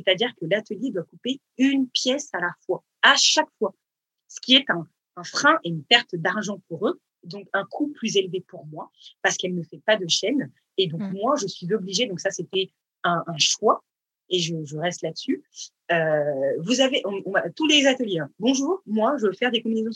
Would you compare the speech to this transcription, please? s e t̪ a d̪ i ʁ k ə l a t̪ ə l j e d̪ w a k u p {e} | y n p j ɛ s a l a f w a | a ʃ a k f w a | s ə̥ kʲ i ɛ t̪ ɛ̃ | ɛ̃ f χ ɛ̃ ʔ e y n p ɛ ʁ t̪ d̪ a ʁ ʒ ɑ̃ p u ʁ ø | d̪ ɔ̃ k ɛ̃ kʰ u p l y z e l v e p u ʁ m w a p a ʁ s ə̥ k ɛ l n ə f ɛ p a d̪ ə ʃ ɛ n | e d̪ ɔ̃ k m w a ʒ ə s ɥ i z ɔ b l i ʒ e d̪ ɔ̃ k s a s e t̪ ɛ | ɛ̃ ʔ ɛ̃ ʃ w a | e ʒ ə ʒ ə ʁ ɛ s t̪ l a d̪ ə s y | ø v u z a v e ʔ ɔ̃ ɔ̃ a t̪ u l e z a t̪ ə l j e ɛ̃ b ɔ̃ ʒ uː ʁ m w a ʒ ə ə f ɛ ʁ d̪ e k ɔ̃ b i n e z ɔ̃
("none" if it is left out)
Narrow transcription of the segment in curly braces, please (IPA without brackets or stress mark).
e